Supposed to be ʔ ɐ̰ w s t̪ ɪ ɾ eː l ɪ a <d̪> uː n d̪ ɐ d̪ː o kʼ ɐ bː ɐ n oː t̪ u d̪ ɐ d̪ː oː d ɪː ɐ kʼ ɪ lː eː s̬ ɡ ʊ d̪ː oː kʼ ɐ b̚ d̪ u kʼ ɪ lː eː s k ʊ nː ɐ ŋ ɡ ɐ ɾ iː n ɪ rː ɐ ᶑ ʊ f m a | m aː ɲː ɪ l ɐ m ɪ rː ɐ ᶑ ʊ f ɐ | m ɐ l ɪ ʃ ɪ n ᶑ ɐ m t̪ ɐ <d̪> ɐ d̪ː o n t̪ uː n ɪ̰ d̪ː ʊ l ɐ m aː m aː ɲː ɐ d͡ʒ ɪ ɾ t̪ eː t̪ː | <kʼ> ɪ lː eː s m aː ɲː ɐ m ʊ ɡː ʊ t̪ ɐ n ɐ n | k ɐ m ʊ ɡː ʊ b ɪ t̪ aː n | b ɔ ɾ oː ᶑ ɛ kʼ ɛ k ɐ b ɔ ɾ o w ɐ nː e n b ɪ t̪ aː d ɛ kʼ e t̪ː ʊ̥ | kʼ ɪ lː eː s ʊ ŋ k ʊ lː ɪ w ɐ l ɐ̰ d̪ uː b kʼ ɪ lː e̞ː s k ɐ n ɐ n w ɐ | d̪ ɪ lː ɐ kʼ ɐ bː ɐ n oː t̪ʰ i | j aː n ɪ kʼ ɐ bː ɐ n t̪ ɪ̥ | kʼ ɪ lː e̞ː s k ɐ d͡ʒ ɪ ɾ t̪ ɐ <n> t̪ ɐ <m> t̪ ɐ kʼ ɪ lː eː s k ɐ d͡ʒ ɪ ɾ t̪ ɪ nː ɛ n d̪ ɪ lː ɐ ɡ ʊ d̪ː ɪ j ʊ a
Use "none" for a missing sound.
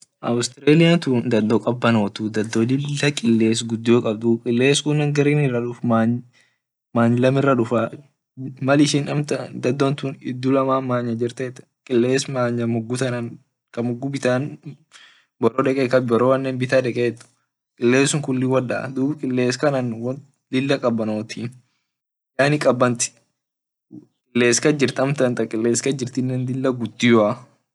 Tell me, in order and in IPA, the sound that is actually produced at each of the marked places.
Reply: t̪, d̪, kʼ, m, n

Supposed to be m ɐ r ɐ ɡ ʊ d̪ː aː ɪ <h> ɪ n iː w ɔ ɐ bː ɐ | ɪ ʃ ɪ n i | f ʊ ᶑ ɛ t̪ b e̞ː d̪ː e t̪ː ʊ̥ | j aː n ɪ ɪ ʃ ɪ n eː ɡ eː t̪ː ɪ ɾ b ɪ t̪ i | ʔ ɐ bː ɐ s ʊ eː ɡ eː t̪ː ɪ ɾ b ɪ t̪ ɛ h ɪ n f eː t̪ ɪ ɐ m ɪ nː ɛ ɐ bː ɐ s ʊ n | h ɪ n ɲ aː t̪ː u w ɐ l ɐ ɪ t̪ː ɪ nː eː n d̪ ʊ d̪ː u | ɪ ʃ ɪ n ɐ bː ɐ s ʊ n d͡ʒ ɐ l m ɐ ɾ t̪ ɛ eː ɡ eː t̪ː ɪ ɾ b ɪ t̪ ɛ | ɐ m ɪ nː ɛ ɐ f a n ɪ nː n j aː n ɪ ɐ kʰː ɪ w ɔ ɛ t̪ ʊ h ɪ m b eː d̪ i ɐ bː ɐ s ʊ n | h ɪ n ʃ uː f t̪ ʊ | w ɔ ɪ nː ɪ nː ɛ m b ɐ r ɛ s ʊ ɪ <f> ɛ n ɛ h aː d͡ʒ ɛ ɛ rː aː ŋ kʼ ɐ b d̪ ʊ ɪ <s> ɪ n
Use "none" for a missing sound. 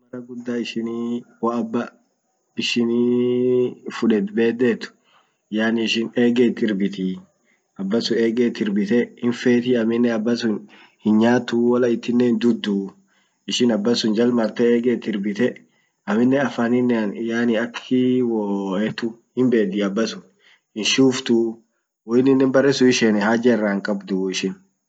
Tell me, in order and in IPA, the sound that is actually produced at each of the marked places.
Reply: ʃ, ʃ, ʃ

